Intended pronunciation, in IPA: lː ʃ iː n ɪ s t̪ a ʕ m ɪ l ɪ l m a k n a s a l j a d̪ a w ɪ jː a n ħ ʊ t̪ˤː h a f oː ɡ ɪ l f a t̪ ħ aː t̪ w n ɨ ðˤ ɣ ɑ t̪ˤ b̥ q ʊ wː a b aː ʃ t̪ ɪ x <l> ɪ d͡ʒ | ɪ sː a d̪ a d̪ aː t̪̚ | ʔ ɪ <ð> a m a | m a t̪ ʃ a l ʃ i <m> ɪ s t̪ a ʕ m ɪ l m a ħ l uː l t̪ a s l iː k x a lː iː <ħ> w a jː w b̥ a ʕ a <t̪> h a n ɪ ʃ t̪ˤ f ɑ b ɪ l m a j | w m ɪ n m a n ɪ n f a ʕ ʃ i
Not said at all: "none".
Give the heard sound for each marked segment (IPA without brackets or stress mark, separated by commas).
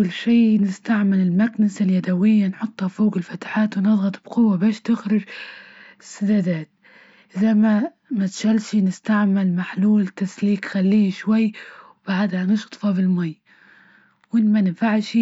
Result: ɾ, z, n, ʃ, d̪